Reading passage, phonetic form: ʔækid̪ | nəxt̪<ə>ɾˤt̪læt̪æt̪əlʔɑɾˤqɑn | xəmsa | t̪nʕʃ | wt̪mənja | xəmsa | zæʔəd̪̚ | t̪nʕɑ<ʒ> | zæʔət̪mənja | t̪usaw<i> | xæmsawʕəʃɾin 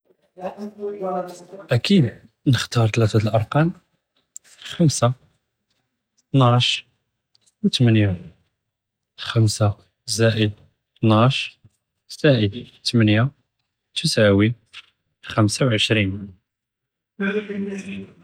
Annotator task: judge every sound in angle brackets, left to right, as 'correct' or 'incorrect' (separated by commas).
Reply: incorrect, incorrect, correct